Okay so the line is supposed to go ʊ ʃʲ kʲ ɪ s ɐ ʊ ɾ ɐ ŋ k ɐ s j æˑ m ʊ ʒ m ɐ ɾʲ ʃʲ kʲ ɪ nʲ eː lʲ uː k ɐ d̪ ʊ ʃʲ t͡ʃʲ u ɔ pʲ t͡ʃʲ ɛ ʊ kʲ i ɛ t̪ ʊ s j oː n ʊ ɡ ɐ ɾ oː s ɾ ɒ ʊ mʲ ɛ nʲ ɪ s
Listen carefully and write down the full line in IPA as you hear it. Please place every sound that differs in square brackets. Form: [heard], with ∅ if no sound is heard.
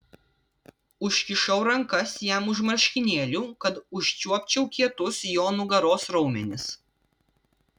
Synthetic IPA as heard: ʊ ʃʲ kʲ ɪ [ʃ] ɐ ʊ ɾ ɐ ŋ k ɐ s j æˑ m ʊ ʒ m ɐ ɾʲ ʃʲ kʲ ɪ nʲ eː lʲ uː k ɐ [t̪] ʊ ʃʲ t͡ʃʲ u ɔ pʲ t͡ʃʲ ɛ ʊ kʲ i ɛ t̪ ʊ s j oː n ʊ ɡ ɐ ɾ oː s ɾ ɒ ʊ mʲ ɛ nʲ ɪ s